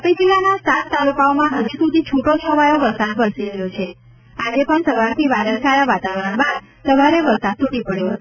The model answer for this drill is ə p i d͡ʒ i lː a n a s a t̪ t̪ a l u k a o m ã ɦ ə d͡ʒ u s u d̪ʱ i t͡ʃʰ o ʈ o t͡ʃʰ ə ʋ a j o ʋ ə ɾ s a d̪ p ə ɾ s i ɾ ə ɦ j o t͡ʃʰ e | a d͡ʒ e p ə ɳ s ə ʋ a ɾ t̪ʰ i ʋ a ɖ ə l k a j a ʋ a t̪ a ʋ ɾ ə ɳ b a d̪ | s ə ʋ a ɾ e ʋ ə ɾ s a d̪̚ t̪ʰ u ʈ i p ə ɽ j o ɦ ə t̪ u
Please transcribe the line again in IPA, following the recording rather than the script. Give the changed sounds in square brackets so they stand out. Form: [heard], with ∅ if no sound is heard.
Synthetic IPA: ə p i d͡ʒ i [l] a n a s a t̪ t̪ a l u k a o m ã ɦ ə d͡ʒ u s u d̪ʱ i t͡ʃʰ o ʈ o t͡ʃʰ ə ʋ a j o ʋ ə ɾ s a d̪ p ə ɾ s i ɾ ə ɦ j o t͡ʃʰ e | a d͡ʒ e p ə ɳ s ə ʋ a ɾ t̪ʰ i ʋ a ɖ ə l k a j a ʋ a t̪ a ʋ ɾ ə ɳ b a d̪ | s ə ʋ a ɾ e ʋ ə ɾ s a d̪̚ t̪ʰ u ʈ i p ə ɽ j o ɦ ə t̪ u